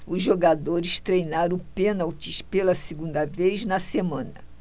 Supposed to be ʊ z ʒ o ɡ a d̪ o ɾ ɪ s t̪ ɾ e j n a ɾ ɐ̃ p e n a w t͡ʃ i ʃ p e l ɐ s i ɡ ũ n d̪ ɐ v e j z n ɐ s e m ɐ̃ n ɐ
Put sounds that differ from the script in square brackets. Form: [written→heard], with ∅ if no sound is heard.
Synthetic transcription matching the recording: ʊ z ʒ o ɡ a d̪ o ɾ ɪ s t̪ ɾ e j n a ɾ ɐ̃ p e n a w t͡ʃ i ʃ p e l ɐ s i ɡ ũ n d̪ ɐ v e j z n ɐ s e m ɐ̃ n ɐ